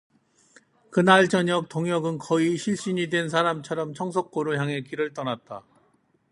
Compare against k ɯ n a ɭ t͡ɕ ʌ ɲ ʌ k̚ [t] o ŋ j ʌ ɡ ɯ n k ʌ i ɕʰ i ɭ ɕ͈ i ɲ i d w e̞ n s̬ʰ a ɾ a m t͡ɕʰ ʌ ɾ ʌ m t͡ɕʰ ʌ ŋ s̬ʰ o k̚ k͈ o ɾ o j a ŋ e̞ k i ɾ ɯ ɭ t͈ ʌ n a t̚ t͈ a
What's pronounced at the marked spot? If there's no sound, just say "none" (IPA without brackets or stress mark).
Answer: t